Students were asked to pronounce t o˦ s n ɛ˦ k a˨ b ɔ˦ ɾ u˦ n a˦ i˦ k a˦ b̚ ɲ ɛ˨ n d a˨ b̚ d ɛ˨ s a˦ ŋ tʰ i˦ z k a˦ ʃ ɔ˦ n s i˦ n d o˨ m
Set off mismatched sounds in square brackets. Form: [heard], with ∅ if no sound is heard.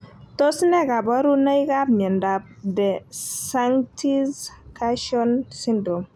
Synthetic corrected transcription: t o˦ s n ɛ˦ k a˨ b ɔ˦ ɾ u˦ n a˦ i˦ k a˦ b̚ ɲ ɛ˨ n d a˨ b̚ d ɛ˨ s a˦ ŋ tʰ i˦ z k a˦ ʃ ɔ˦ n s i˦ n d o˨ m